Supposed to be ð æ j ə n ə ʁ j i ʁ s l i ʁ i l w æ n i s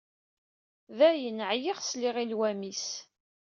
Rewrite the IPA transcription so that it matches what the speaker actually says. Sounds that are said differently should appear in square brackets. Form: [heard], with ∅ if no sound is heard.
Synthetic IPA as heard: ð æ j ə n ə [ʕ] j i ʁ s l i ʁ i l w æ [m] i s